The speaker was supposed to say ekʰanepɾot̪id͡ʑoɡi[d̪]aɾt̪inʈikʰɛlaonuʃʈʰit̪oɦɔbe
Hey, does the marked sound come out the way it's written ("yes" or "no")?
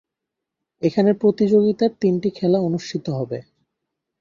no